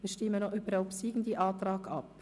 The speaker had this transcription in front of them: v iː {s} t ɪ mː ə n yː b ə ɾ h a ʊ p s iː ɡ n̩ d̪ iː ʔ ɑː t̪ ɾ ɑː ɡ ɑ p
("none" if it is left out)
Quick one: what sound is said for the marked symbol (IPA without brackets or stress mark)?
ʃ